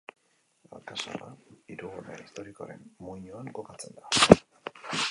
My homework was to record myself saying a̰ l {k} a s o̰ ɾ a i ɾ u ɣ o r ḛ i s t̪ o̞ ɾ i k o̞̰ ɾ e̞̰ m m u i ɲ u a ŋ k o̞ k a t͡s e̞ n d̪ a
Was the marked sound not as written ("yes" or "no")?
no